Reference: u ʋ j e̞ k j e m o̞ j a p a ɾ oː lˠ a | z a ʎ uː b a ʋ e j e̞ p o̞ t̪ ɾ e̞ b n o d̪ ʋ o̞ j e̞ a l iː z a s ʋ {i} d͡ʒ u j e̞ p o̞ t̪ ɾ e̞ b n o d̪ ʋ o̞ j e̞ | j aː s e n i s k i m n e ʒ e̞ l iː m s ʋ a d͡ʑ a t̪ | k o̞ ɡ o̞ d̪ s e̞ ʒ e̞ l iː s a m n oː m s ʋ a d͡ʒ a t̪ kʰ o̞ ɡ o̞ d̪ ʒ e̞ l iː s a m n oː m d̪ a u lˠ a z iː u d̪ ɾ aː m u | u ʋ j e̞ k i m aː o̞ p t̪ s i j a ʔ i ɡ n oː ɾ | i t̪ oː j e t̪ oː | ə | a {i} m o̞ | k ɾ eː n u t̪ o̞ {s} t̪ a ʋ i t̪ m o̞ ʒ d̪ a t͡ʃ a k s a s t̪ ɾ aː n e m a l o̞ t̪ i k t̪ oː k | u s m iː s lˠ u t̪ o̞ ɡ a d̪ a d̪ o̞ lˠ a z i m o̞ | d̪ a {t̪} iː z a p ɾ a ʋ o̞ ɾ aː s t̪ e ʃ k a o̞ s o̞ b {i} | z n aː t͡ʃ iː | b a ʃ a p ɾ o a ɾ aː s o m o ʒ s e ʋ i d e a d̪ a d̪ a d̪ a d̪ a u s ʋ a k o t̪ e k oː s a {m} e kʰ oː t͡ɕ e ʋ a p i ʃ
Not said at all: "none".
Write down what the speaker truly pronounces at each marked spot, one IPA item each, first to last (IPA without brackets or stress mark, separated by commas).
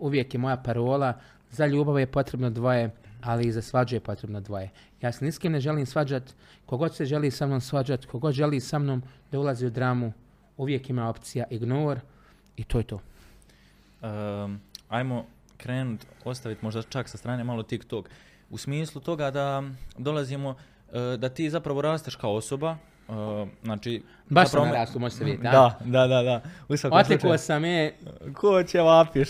a, j, s, t̪, a, m